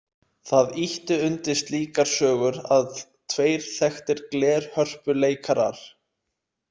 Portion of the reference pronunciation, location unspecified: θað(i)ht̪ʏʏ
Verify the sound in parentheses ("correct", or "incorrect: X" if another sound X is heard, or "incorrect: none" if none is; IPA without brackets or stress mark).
correct